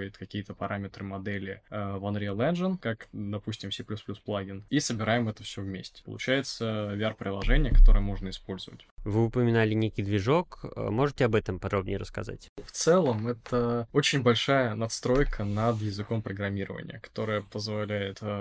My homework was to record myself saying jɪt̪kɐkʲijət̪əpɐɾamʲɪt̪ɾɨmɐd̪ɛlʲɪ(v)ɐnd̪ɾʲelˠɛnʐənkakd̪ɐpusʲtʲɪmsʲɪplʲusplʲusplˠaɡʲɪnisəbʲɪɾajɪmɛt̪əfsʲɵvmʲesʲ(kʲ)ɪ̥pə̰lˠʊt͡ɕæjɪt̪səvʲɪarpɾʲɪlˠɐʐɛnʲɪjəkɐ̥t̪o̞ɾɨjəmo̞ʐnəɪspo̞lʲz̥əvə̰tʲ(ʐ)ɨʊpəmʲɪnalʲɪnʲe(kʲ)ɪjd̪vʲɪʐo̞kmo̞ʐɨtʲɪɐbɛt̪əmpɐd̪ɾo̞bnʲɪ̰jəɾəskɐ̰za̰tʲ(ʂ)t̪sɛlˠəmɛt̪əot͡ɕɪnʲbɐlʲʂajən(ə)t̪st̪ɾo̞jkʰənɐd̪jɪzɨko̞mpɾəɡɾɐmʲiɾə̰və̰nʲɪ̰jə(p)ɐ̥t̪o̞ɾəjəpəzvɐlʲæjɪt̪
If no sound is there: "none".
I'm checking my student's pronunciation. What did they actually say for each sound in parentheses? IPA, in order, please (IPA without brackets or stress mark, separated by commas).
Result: v, tʲ, v, kʲ, f, ɐ, k